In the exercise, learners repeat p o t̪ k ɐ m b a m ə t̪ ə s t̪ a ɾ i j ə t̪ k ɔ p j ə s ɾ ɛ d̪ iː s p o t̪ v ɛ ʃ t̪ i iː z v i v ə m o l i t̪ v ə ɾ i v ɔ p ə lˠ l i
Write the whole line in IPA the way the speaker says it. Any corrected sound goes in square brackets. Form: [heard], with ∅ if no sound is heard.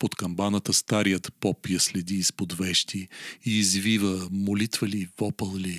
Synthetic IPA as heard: p o t̪ k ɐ m b a [n] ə t̪ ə s t̪ a ɾ i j ə t̪ [p] ɔ p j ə s [l] ɛ d̪ iː s p o [d̪] v ɛ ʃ t̪ i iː z v i v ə m o l i t̪ v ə [l] i v ɔ p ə lˠ l i